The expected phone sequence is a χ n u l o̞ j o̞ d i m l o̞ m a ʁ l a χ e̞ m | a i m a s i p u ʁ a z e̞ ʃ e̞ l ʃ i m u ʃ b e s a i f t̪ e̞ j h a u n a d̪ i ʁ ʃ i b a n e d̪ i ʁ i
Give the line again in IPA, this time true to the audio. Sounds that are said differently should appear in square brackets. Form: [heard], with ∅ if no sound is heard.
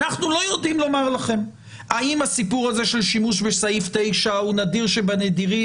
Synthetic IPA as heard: a χ n u l o̞ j o̞ d i m l o̞ m a ʁ l a χ e̞ m | a i m a s i p u ʁ a z e̞ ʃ e̞ l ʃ i m u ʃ b e s a i f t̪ e̞ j [ʃ] a u n a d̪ i ʁ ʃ [e] b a n e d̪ i ʁ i